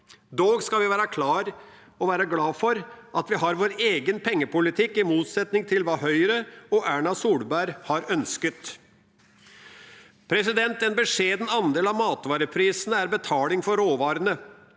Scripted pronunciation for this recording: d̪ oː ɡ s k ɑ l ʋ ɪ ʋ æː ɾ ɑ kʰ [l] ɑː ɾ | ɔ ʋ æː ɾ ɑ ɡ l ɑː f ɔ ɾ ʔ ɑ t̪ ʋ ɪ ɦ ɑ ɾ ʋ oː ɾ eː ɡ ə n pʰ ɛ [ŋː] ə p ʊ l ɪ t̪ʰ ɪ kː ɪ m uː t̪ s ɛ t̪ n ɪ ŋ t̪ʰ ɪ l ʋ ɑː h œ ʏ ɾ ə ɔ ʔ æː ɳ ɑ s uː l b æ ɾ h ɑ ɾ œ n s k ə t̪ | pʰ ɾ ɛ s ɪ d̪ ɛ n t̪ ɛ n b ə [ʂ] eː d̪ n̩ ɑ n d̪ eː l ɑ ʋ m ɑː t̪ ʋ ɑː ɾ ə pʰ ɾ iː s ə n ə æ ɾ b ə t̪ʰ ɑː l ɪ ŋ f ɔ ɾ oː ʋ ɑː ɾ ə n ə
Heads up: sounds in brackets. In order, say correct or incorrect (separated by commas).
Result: correct, correct, correct